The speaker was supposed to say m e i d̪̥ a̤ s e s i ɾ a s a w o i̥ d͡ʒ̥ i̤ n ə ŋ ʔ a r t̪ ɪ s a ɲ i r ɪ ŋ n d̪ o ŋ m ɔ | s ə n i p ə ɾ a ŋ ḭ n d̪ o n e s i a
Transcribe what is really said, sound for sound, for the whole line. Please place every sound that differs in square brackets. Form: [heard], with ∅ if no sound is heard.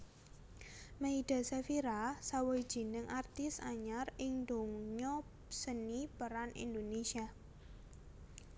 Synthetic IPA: m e i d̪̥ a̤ s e [f] i ɾ a s a w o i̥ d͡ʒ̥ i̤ n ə ŋ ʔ a r t̪ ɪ s a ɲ [a] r ɪ ŋ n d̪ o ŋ [ɲ] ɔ | s ə n i p ə ɾ a [n] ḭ n d̪ o n e s i a